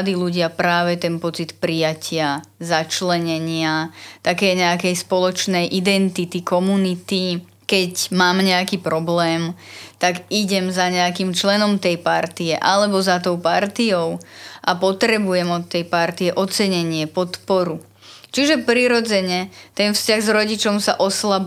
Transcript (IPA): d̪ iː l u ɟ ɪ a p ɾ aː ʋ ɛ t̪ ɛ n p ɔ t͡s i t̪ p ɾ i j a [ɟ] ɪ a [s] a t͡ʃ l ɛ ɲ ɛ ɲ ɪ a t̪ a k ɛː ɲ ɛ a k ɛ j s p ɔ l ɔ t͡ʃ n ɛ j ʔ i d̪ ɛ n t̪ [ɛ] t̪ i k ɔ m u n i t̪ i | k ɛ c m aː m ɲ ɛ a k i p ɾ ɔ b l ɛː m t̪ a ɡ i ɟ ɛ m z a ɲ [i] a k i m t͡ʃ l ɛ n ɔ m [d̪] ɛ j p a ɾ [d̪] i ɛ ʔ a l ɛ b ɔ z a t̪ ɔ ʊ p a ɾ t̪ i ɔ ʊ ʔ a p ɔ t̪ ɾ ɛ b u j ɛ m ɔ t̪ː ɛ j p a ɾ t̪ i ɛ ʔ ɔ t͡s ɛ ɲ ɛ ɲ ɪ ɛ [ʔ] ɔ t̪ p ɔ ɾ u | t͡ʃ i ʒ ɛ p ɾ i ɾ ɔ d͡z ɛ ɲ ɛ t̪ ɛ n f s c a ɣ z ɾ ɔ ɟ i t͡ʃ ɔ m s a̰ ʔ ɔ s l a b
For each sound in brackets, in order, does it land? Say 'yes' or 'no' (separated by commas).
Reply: no, no, no, no, no, no, no